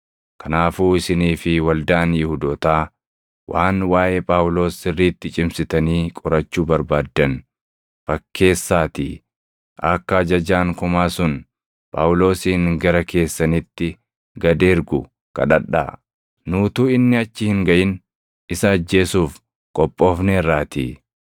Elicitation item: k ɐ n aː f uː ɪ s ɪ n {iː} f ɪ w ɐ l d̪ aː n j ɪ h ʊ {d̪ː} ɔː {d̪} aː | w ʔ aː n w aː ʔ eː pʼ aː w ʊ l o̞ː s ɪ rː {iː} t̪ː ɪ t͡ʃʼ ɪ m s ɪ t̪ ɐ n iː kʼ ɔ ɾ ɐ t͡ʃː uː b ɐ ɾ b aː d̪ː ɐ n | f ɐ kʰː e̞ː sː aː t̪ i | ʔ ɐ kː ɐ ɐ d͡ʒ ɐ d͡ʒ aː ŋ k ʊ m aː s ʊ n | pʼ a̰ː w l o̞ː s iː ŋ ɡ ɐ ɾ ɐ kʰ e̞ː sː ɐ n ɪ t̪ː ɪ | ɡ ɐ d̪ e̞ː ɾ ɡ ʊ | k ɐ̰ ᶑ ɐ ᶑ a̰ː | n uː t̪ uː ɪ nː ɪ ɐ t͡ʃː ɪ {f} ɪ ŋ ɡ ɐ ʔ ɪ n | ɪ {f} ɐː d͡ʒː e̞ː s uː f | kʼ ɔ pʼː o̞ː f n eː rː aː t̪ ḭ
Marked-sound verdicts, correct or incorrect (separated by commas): correct, incorrect, incorrect, correct, incorrect, incorrect